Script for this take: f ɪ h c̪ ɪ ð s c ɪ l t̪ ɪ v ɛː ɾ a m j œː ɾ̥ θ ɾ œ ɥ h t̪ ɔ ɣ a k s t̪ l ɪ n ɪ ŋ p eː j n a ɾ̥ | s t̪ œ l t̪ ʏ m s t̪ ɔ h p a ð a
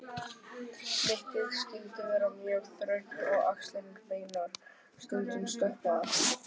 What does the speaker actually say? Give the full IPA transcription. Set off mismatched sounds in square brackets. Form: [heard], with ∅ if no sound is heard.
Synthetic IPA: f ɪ h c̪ ɪ ð s c ɪ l t̪ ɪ v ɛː ɾ a m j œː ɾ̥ θ ɾ œ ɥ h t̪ ɔ ɣ a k s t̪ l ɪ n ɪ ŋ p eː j n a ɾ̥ | s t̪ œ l t̪ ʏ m s t̪ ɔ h p a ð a

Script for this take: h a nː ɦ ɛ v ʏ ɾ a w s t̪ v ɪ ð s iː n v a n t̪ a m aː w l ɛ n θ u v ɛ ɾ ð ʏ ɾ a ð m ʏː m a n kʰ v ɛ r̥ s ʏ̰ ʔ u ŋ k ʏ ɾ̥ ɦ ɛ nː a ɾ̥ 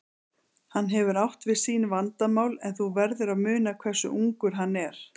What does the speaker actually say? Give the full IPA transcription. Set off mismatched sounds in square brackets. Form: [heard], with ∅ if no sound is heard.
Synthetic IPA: h a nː ɦ ɛ v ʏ ɾ a w [h] t̪ v ɪ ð s iː n v a n t̪ a m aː w l ɛ n θ u v ɛ ɾ ð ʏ ɾ a ð m ʏː [n] a [∅] kʰ v ɛ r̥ s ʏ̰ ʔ u ŋ k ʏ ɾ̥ ɦ [a] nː [ɛ] ɾ̥

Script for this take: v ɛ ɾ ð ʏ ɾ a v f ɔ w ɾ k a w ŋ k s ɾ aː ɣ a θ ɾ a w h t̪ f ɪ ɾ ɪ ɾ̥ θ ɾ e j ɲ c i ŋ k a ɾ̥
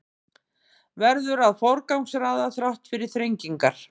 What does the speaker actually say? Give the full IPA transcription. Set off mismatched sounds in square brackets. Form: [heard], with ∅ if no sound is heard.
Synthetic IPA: v ɛ ɾ ð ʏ ɾ a [ð] f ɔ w ɾ k a w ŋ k s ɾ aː [ð] a θ ɾ a w h t̪ f ɪ ɾ ɪ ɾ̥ θ ɾ e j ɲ c i ŋ k a ɾ̥

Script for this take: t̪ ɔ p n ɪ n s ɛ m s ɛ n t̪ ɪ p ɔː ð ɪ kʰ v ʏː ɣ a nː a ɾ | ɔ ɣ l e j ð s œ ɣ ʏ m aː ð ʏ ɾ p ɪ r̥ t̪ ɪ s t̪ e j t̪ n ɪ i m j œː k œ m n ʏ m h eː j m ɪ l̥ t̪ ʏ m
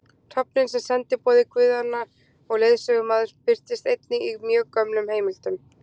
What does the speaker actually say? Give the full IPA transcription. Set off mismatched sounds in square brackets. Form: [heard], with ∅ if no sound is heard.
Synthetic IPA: [t̪ʰ] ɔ p n ɪ n s ɛ m s ɛ n t̪ ɪ p ɔː ð ɪ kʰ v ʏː [ð] a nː a ɾ | ɔ ɣ l e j ð s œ ɣ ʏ m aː ð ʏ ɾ p ɪ r̥ t̪ ɪ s t̪ e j t̪ n ɪ i m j œː k œ m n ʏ m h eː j m ɪ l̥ t̪ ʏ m

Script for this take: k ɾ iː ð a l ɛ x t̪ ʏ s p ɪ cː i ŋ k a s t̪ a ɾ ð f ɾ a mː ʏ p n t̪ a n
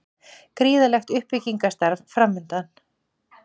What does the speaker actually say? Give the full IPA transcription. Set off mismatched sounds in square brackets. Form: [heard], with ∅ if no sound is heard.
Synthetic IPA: k ɾ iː ð a l ɛ x t̪ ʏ [h] p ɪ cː i ŋ k a s t̪ a ɾ [v] f ɾ a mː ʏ [∅] n t̪ a n

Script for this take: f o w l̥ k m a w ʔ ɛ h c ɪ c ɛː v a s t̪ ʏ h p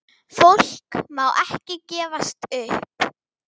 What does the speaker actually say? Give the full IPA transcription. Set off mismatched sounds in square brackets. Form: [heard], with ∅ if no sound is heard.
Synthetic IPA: f o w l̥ k m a w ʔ ɛ h c ɪ c ɛː v a s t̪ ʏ h p

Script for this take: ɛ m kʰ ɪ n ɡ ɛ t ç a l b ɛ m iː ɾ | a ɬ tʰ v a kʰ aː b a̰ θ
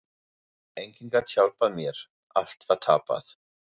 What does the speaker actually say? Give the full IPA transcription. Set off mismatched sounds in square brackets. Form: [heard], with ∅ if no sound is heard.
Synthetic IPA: ɛ [ŋ] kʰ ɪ n ɡ [a] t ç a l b [a] m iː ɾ | a ɬ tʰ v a [tʰ] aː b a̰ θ

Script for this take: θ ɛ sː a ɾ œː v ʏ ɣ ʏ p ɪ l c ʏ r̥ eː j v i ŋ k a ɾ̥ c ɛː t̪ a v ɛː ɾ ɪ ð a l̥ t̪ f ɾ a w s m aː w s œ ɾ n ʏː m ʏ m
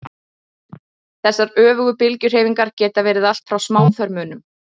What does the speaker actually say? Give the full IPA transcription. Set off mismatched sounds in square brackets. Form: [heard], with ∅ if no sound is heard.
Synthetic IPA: θ ɛ sː a ɾ œː v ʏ ɣ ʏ p ɪ l c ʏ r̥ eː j v i ŋ k a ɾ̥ c ɛː t̪ a v ɛː ɾ ɪ ð a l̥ t̪ f ɾ a w s m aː w [θ] œ ɾ [m] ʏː [n] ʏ m

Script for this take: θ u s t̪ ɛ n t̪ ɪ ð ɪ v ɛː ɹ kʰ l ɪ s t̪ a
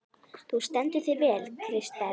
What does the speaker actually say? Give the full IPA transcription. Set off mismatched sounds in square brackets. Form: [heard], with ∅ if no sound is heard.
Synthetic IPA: θ u s t̪ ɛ n t̪ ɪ [θ] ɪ v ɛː [l] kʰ [ɾ] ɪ s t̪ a

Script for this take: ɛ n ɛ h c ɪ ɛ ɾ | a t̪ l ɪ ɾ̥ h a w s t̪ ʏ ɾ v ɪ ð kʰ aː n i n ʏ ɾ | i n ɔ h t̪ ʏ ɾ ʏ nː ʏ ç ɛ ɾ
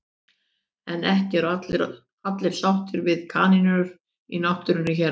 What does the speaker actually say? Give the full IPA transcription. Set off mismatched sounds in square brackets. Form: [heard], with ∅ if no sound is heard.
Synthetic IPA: ɛ n ɛ h c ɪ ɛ ɾ | a t̪ l ɪ ɾ̥ [s] a w [h] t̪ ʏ ɾ v ɪ ð kʰ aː n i n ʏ ɾ | i n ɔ h t̪ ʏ ɾ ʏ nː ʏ ç ɛ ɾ

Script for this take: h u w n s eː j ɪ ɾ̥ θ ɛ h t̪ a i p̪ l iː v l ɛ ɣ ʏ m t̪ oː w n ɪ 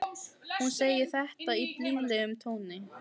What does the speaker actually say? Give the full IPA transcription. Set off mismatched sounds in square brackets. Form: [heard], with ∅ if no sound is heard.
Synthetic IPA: h u [∅] n s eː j ɪ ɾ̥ θ ɛ h t̪ a i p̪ l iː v l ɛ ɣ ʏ m [t̪ʰ] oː w n ɪ

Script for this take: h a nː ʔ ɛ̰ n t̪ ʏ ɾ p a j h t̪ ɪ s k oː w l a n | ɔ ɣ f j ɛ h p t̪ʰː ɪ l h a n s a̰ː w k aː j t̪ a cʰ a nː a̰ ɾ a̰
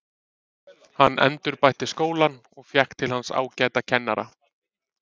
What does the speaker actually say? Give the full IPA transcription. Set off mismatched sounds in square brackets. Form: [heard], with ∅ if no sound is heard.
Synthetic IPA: h a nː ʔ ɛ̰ n t̪ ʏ ɾ p a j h t̪ ɪ s k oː w l a n | ɔ ɣ f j ɛ h [k] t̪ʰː ɪ l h a n s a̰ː w [c] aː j t̪ a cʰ [ɛ] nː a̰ ɾ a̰

